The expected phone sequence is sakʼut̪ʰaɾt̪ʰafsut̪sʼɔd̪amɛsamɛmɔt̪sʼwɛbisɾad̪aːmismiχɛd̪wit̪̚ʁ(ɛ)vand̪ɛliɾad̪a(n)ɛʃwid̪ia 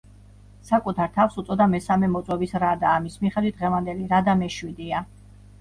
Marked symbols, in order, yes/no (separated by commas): yes, no